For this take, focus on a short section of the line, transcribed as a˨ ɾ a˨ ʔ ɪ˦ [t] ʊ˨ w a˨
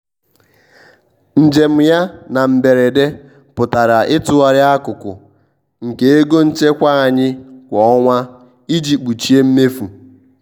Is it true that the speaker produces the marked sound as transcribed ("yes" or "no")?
yes